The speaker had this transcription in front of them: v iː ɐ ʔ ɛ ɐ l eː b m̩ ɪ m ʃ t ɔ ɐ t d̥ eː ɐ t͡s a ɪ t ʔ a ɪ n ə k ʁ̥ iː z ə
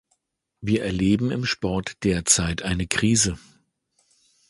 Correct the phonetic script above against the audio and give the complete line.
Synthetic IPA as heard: v iː ɐ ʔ ɛ ɐ l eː b m̩ ɪ m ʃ p ɔ ɐ t d̥ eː ɐ t͡s a ɪ t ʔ a ɪ n ə k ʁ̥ iː z ə